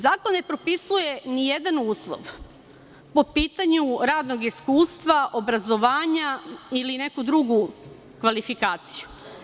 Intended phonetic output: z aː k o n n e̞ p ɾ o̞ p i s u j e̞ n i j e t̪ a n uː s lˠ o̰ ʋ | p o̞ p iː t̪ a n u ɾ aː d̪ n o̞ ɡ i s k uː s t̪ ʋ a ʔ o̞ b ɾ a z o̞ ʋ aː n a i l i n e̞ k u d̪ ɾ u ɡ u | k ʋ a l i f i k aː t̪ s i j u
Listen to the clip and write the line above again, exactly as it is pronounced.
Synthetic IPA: z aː k o n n e̞ p ɾ o̞ p i s u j e̞ n i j e d̪ a n uː s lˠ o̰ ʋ | p o̞ p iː t̪ a ɲ u ɾ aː d̪ n o̞ ɡ i s k uː s t̪ ʋ a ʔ o̞ b ɾ a z o̞ ʋ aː ɲ a i l i n e̞ k u d̪ ɾ u ɡ u | k ʋ a l i f i k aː t̪ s i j u